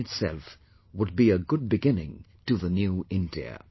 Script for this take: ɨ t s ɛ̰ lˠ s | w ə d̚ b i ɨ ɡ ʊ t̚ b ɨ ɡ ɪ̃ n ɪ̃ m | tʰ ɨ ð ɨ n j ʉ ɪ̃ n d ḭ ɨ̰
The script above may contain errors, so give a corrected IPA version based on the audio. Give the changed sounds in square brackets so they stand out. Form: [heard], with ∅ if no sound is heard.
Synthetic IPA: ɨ t s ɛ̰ lˠ [f] | w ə d̚ b i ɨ ɡ ʊ [d̚] b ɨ ɡ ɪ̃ n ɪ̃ [ŋ] | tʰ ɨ ð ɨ n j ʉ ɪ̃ n d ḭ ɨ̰